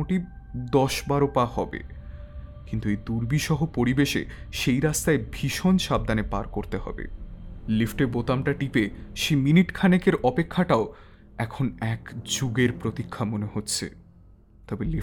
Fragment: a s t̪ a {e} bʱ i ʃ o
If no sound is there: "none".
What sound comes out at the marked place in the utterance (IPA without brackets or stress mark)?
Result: e